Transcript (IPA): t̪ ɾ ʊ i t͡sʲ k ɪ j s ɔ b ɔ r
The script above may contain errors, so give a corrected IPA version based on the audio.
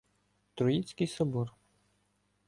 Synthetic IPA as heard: t̪ ɾ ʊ i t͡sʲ k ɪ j s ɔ b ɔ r